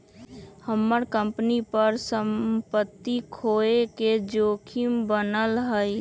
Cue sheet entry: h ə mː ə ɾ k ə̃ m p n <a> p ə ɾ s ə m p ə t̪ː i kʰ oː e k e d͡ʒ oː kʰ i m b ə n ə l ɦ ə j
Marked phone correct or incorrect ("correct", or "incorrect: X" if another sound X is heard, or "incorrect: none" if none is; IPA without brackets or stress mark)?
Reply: incorrect: i